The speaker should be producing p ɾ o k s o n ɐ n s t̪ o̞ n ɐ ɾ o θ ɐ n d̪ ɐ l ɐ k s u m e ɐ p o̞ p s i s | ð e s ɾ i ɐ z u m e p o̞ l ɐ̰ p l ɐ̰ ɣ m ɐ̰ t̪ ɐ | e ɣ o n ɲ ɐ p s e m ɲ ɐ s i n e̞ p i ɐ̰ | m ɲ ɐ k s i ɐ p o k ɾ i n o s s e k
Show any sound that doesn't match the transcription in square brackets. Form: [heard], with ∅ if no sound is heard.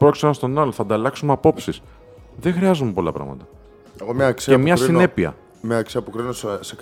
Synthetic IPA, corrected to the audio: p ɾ o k s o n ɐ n s t̪ o̞ n ɐ [l] o θ ɐ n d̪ ɐ l ɐ k s u m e ɐ p o̞ p s i s | ð e [x] ɾ i ɐ z u m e p o̞ l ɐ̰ p [ɾ] ɐ̰ ɣ m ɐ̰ t̪ ɐ | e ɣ o [m] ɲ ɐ [k] s e m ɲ ɐ s i n e̞ p i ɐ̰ | m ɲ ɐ k s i ɐ p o k ɾ i n o s s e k